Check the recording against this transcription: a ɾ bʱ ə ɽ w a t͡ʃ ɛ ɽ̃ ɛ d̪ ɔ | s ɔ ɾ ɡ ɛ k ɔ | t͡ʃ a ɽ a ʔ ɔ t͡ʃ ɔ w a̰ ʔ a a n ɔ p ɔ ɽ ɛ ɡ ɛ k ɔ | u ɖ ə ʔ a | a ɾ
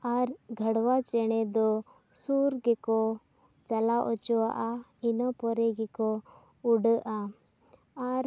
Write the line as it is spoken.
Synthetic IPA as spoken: a ɾ ɡʱ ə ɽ w a t͡ʃ ɛ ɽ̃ ɛ d̪ ɔ | s u ɾ ɡ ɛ k ɔ | t͡ʃ a l a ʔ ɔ t͡ʃ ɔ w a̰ ʔ a i n ɔ p ɔ ɾ ɛ ɡ ɛ k ɔ | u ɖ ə ʔ a | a ɾ